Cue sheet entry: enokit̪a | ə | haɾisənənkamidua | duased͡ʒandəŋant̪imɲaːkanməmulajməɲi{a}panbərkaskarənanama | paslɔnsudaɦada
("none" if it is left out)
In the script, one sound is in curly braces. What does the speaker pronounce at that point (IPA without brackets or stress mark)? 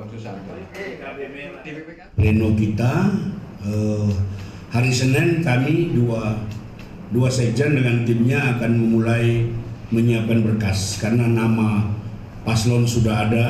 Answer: a